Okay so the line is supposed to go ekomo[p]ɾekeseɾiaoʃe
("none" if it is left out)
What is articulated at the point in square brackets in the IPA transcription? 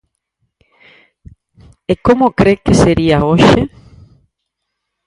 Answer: k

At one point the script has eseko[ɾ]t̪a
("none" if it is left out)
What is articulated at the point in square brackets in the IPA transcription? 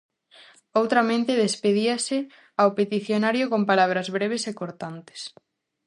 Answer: ɾ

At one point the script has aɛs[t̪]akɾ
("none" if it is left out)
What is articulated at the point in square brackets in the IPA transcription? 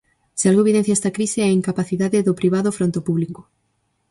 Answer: t̪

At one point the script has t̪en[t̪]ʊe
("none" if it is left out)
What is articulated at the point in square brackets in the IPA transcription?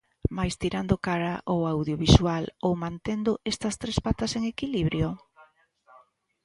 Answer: d̪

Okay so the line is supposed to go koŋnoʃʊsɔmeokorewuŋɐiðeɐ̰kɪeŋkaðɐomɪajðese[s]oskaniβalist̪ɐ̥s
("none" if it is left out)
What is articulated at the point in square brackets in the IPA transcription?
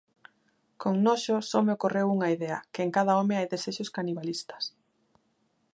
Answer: ʃ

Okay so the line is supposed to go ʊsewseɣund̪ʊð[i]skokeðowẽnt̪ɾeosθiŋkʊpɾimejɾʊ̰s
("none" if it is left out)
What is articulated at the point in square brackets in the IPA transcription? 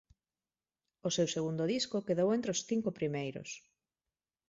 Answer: i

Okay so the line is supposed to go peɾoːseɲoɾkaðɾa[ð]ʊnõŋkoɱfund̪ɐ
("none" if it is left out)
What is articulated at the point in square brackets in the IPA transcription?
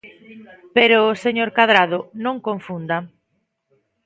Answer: ð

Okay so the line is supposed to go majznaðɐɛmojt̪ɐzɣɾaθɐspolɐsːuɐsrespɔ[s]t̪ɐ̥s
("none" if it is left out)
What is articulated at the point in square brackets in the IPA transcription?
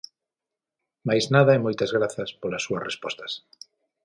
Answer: s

